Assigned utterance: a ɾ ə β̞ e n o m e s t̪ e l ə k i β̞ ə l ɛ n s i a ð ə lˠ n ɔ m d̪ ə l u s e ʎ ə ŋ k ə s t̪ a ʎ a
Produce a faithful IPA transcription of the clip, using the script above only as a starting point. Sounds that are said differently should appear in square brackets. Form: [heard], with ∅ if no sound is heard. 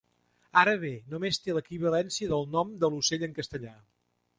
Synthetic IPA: a ɾ ə β̞ e n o m e s t̪ e l ə k i β̞ ə l ɛ n s i [ə] ð ə lˠ n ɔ m d̪ ə l u s e ʎ ə ŋ k ə s t̪ [ə] ʎ a